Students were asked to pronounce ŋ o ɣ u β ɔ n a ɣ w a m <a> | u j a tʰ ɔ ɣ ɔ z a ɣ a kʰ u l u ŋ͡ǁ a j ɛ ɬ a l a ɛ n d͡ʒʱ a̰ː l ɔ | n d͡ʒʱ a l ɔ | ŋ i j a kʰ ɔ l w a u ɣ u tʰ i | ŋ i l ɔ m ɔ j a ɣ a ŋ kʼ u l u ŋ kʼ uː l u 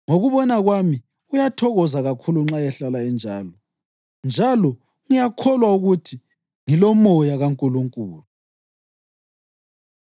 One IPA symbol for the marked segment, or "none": i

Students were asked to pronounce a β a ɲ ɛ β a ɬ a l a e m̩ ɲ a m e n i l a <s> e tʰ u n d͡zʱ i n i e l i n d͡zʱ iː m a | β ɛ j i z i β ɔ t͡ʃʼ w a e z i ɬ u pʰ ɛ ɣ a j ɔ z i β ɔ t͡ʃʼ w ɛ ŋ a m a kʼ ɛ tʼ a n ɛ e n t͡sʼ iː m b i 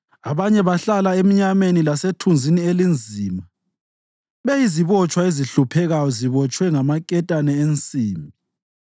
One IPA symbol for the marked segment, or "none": s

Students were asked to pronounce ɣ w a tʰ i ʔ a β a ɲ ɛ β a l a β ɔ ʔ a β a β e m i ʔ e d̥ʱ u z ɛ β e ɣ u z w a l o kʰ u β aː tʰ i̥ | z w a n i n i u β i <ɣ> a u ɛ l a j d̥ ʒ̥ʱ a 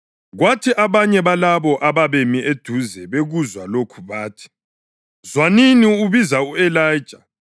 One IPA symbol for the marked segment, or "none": z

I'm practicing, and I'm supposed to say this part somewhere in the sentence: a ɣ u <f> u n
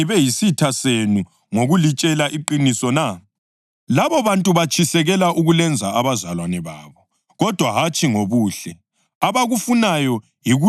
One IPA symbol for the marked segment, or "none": f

